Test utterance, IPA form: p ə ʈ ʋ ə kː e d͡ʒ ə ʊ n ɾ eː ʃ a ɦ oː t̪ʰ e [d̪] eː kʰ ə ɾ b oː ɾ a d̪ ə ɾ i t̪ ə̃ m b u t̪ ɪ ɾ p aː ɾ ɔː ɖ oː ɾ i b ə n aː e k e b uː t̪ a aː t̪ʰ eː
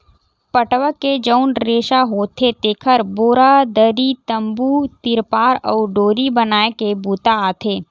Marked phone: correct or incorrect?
incorrect